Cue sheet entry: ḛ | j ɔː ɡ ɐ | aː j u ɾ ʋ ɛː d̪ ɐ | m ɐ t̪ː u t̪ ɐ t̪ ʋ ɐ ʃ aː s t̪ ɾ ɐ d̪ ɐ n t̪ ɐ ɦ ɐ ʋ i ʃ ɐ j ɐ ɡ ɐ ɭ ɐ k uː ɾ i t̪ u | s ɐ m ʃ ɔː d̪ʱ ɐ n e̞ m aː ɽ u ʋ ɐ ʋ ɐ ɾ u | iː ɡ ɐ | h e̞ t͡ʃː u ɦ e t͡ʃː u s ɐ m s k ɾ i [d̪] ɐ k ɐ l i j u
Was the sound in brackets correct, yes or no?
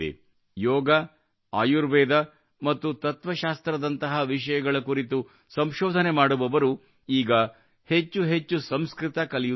no